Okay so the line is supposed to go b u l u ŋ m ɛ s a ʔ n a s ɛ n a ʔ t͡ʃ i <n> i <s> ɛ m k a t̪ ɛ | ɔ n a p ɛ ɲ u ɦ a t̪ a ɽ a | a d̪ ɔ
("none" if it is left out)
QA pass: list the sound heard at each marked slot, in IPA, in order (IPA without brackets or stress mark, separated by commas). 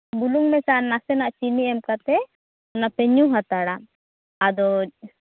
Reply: n, none